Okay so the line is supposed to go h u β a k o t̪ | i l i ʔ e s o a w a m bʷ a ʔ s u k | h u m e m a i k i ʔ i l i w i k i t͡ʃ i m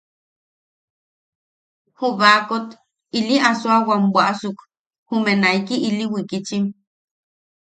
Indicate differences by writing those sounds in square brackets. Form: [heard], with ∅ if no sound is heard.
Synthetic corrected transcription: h u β a k o t̪ | i l i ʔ [a] s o a w a m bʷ a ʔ s u k | h u m e [n] a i k i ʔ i l i w i k i t͡ʃ i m